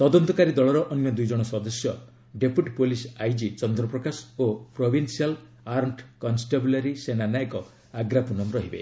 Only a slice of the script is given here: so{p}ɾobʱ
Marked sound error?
no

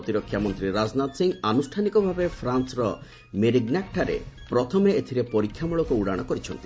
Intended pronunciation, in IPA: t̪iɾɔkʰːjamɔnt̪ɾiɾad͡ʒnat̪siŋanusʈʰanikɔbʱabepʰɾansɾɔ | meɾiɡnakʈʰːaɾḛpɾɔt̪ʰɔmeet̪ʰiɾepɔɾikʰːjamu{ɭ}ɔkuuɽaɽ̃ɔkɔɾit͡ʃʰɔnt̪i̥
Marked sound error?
no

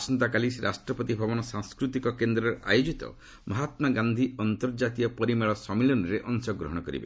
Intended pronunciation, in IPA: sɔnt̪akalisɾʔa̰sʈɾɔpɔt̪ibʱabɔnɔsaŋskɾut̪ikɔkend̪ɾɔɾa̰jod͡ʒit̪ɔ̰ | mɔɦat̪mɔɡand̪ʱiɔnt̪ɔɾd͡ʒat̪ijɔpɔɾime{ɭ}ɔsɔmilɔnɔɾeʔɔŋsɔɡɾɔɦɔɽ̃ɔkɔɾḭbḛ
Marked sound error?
no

